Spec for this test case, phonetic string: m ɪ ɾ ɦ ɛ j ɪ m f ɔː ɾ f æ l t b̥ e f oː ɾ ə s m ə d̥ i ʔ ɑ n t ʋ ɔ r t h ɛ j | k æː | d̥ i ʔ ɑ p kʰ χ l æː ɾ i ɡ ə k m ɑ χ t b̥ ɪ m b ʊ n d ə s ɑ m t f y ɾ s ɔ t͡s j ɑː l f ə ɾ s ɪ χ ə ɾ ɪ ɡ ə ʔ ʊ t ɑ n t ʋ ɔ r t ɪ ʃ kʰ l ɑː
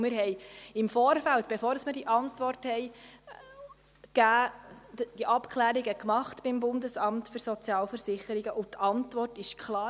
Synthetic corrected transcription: m ɪ ɾ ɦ ɛ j ɪ m f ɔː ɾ f æ l t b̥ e f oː ɾ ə s m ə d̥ i ʔ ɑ n t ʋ ɔ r t h ɛ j | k æː | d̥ i ʔ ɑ p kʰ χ l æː ɾ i ɡ ə k m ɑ χ t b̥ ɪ m b ʊ n d ə s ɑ m t f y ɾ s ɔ t͡s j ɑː l f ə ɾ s ɪ χ ə ɾ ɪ ɡ ə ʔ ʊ t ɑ n t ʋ ɔ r t ɪ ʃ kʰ l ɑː